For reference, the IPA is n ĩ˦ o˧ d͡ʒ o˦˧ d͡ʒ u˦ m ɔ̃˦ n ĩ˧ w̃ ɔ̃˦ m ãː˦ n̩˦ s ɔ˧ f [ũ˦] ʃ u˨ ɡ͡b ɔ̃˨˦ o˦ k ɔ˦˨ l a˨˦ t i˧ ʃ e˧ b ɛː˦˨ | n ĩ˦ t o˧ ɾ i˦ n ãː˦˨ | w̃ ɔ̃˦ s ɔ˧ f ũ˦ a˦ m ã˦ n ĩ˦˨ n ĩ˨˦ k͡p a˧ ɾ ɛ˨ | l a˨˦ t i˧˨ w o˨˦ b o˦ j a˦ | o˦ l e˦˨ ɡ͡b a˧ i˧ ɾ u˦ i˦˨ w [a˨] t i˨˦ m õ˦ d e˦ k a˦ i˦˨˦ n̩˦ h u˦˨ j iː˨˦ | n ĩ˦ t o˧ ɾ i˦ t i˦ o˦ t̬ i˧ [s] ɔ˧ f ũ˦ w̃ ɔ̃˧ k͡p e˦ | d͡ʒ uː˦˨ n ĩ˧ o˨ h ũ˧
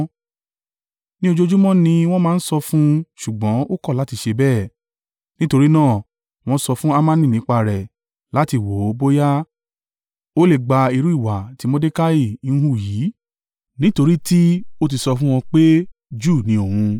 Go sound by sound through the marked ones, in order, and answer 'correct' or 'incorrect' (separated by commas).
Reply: correct, correct, correct